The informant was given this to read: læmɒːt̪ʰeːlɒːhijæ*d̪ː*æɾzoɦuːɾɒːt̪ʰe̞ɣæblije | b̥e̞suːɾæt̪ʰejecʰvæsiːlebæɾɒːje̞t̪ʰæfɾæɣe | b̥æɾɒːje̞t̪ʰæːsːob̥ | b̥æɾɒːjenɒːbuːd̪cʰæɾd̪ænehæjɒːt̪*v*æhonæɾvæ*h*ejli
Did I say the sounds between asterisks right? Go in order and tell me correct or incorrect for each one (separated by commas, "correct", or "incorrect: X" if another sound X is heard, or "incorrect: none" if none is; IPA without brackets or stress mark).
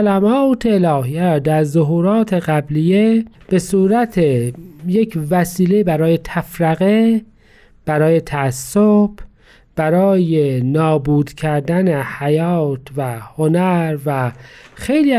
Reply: incorrect: d̪, correct, incorrect: x